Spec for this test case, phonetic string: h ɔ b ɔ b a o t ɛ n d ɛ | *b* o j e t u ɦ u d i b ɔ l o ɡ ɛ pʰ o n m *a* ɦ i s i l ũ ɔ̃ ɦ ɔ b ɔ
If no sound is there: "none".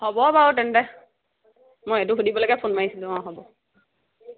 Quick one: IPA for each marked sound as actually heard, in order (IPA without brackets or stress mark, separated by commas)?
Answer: m, a